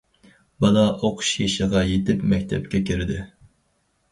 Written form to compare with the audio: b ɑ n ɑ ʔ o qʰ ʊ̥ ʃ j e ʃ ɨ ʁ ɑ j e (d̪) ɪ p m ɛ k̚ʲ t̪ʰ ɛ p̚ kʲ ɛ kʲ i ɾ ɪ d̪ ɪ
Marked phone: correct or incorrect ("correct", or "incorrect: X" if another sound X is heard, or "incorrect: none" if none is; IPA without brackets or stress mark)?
incorrect: t̪